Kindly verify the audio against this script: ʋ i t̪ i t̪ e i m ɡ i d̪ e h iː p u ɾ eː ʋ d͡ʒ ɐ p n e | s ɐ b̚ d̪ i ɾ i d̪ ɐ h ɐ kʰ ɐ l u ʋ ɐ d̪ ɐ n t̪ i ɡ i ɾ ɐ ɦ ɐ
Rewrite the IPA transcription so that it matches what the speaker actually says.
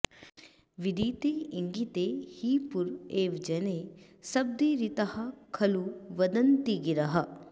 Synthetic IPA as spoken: ʋ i d̪ i t̪ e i ŋ ɡ i t̪ e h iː p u ɾ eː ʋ d͡ʒ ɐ n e | s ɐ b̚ d̪ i ɾ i t̪ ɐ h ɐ kʰ ɐ l u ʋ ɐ d̪ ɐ n t̪ i ɡ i ɾ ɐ ɦ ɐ